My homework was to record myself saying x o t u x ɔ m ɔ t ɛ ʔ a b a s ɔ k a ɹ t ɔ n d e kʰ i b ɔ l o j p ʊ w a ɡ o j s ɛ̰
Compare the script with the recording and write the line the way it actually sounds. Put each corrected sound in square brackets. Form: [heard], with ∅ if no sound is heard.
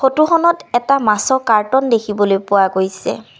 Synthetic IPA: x o t u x ɔ [n] ɔ t ɛ [t] a [m] a s ɔ k a ɹ t ɔ n d e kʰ i b ɔ l o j p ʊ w a ɡ o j s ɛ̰